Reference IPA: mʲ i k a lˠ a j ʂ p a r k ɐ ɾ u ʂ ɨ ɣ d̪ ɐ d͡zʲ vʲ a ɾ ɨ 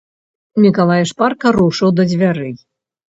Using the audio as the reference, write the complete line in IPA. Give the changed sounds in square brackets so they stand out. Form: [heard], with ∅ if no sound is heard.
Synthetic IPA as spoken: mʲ i k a lˠ a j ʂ p a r k ɐ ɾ u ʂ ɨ [w] d̪ ɐ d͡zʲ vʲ a ɾ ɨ